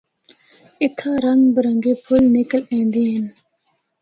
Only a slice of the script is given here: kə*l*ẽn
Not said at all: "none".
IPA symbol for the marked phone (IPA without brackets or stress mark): l